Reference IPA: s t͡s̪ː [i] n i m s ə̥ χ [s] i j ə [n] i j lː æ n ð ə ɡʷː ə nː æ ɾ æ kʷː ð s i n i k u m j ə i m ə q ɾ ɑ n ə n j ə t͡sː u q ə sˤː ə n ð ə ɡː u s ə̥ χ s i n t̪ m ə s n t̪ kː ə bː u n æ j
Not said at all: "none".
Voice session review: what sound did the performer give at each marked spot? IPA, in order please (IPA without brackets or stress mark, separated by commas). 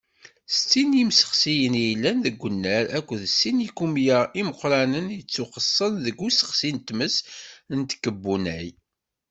i, s, n